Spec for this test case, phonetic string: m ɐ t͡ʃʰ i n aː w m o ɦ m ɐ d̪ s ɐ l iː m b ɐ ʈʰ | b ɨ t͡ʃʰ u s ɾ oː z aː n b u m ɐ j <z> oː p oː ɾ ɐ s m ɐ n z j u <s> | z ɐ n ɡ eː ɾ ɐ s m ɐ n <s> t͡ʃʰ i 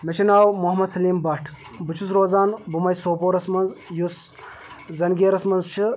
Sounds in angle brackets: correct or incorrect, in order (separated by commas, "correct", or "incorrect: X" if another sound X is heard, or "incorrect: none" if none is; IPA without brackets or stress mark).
incorrect: s, correct, incorrect: z